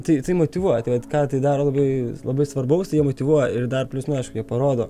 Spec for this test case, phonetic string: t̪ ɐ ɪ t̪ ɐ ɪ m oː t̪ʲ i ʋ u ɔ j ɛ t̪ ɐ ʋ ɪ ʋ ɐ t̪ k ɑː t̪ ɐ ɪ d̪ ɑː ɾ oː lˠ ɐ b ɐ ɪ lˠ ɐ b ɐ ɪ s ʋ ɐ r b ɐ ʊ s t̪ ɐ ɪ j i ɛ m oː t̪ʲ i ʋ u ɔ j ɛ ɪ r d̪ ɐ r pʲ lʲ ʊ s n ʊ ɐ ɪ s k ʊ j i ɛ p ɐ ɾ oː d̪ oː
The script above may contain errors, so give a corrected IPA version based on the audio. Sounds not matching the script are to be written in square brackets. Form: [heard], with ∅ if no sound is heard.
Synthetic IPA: t̪ ɐ ɪ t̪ ɐ ɪ m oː t̪ʲ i ʋ u ɔ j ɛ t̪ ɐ [∅] ɪ ʋ ɐ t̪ k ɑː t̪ ɐ ɪ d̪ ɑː ɾ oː lˠ ɐ b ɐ ɪ lˠ ɐ b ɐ ɪ s ʋ ɐ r b ɐ ʊ s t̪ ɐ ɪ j i ɛ m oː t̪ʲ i ʋ u ɔ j ɛ ɪ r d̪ ɐ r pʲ lʲ ʊ s n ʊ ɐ ɪ [ʃ] k ʊ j i ɛ p ɐ ɾ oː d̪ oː